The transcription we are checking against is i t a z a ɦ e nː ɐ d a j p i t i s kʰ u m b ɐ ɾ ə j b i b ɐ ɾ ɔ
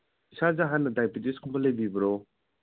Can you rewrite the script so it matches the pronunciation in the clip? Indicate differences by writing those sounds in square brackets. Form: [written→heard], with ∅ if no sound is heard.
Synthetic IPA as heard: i [t→s] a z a ɦ [e→a] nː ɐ d a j p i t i s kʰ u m b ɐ [ɾ→l] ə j b i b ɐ ɾ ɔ